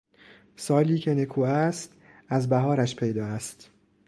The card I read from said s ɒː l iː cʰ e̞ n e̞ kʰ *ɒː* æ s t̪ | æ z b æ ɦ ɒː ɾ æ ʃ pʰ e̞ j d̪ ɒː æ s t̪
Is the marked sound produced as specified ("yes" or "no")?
no